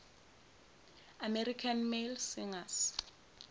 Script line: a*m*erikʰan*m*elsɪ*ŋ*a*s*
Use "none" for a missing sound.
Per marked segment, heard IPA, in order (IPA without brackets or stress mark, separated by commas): m, m, ŋ, s